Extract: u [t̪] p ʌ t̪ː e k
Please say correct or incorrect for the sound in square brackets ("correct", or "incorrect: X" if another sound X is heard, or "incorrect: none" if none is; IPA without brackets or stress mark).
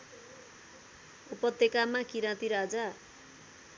incorrect: none